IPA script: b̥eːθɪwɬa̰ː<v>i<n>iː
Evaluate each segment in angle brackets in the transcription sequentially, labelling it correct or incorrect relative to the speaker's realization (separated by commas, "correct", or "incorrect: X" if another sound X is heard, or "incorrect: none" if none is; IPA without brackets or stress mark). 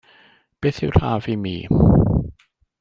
correct, incorrect: m